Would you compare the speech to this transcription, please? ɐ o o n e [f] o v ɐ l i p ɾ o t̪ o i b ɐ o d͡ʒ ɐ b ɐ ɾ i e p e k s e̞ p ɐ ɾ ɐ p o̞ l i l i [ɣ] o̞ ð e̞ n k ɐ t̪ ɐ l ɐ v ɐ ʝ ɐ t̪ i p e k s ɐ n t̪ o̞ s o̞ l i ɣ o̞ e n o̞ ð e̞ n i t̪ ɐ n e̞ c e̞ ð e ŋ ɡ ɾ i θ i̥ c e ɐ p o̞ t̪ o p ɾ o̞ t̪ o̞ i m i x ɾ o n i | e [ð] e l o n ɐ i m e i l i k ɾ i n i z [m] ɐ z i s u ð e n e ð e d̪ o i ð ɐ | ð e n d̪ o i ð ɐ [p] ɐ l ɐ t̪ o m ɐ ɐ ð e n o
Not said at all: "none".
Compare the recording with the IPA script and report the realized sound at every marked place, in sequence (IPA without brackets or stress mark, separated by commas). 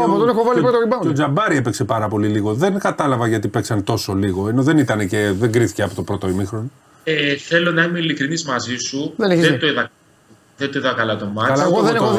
x, ɣ, θ, m, k